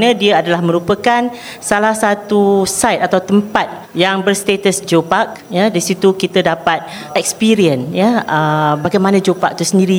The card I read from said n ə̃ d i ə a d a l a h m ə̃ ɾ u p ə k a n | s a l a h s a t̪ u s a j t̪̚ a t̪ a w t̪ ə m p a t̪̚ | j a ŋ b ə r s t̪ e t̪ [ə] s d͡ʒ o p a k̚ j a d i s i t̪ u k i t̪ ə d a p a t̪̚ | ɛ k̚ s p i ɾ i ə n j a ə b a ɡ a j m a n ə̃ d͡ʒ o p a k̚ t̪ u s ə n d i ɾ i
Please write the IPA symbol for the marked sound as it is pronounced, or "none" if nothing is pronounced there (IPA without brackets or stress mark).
ə